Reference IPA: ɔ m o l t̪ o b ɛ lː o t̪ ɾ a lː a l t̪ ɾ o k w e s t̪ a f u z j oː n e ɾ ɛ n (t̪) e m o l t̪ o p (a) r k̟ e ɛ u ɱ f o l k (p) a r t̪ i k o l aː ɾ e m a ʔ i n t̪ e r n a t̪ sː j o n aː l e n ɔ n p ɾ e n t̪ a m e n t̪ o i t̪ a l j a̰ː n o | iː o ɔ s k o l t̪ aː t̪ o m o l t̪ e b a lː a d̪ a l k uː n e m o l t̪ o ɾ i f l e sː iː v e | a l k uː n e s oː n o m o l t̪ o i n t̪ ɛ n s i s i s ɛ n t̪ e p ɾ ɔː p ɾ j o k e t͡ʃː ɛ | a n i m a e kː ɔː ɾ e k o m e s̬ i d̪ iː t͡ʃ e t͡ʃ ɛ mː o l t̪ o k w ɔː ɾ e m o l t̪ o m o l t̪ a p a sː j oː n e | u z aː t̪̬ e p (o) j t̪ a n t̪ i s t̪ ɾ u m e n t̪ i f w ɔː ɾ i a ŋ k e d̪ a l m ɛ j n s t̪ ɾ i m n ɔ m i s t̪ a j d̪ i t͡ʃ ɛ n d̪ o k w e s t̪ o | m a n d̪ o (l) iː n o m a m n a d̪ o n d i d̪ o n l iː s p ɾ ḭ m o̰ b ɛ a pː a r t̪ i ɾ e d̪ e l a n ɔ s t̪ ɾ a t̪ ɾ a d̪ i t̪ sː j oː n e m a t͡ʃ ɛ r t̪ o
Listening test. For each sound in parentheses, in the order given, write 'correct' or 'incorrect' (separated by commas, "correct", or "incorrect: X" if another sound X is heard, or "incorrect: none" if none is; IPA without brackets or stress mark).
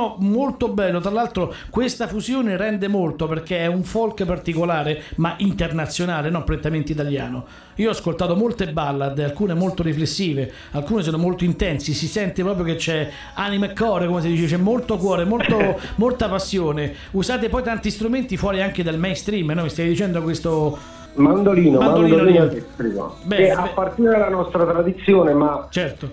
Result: incorrect: d̪, incorrect: e, correct, incorrect: ɔ, correct